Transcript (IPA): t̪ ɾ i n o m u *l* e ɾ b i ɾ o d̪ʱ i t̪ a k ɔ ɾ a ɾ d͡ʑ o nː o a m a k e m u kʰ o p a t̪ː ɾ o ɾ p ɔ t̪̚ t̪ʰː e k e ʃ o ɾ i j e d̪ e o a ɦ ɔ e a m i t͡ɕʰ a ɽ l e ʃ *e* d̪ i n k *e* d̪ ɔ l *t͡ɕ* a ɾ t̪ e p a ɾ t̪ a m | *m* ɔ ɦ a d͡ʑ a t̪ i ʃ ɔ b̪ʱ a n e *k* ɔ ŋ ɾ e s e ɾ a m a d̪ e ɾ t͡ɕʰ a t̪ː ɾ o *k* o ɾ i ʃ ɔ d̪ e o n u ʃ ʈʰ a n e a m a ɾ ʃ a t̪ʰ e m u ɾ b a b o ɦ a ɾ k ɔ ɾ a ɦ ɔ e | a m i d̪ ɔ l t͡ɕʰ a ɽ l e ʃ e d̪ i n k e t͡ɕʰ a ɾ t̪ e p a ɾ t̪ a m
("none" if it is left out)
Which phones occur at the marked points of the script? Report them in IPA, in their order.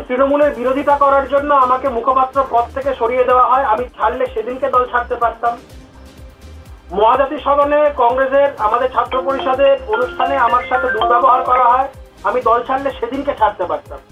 l, e, e, t͡ɕʰ, m, k, p

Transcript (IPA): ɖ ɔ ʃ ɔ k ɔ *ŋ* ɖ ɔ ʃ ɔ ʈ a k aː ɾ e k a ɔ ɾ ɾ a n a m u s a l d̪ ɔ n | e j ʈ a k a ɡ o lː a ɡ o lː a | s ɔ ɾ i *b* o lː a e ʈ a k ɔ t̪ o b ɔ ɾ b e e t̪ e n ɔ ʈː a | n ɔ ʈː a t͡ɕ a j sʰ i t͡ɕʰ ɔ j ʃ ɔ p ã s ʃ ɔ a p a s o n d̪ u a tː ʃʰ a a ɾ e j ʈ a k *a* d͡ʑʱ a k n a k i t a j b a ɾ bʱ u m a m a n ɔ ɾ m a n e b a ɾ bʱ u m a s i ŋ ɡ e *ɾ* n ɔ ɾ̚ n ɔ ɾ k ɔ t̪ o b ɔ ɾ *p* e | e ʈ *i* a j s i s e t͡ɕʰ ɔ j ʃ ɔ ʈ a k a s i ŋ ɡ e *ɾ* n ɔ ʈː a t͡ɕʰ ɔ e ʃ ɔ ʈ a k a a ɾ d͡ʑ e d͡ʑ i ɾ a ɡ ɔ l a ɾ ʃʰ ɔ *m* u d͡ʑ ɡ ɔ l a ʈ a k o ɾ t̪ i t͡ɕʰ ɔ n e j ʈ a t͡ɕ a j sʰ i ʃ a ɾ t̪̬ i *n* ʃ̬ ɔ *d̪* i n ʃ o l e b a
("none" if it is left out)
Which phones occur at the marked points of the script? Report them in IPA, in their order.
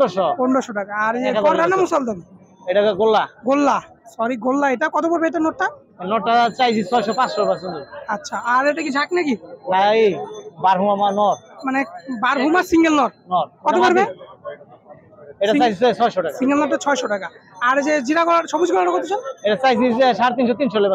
ɳ, ɡ, i, l, b, a, l, b, n, t̪

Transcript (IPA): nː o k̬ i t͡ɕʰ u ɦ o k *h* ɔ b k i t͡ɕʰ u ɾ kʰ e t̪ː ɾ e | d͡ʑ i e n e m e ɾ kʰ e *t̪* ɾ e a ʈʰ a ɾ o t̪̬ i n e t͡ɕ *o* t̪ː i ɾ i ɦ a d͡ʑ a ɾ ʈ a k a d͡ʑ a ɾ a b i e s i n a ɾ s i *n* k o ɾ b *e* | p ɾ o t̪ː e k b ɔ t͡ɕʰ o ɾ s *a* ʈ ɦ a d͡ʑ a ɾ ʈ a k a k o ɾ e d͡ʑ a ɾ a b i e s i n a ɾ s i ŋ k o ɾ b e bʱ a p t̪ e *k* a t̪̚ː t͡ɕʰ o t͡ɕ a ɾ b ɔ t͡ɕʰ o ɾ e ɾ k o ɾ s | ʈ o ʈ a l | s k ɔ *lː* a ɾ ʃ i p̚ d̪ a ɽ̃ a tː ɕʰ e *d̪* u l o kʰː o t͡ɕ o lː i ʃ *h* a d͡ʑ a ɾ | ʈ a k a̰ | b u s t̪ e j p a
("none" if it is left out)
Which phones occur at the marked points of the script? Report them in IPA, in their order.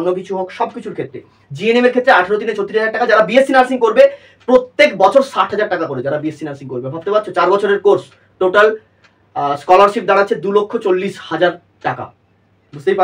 ʃ, t̪, o, ŋ, e, a, p, l, d̪, h

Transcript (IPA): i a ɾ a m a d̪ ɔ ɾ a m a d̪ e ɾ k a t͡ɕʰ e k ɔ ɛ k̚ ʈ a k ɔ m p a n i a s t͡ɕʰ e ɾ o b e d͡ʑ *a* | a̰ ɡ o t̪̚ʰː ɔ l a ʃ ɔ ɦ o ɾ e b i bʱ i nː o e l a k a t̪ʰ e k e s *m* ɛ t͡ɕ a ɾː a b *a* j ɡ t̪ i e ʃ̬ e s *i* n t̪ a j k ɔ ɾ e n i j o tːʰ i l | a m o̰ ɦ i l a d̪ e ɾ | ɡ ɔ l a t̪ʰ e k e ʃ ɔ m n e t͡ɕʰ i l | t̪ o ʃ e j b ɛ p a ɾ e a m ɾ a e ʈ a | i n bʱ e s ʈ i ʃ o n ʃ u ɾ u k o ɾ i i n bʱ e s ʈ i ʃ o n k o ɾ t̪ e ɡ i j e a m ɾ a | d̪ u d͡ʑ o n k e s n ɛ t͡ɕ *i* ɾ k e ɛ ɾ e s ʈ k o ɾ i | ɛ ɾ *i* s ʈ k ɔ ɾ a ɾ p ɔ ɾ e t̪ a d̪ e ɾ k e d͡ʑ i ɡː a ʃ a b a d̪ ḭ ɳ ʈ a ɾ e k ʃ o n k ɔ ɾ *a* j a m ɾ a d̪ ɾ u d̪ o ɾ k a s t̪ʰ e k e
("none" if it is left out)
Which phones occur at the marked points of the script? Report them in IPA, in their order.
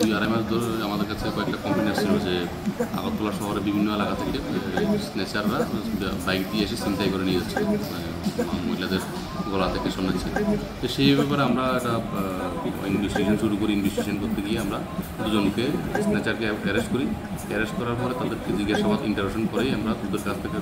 e, n, a, i, a, e, e

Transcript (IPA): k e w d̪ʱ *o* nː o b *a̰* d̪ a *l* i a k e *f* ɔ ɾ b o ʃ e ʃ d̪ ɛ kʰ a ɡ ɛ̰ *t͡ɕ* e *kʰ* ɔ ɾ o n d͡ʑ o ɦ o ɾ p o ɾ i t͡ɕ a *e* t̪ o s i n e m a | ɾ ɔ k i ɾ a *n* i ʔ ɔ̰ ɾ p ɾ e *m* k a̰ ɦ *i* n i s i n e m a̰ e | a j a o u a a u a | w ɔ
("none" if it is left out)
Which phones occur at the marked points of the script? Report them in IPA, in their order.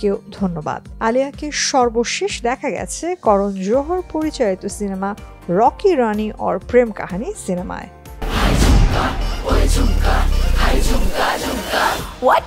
o, a̰, l, ʃ, t͡ɕʰ, k, i, n, m, a

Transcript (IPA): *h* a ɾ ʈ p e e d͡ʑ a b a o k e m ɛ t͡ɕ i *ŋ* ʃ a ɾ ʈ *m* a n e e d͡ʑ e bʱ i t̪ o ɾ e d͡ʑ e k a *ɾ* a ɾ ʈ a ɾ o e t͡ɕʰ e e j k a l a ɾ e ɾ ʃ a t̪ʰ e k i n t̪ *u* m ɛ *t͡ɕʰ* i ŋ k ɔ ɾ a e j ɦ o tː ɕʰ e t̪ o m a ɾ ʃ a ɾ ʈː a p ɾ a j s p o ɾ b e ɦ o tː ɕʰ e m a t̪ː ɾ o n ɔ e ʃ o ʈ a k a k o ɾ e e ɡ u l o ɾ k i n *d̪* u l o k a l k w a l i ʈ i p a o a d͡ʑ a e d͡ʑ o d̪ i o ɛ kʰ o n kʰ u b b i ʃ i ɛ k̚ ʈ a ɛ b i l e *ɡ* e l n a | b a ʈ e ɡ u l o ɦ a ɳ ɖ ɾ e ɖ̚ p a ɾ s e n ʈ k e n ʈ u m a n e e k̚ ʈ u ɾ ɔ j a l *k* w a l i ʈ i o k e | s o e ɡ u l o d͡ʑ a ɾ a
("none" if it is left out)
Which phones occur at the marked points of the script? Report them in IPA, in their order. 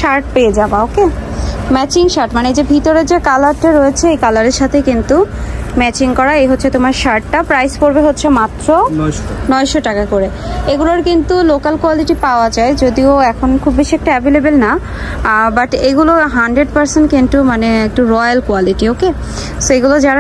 ʃ, ŋ, m, l, u, t͡ɕ, t̪, b, k

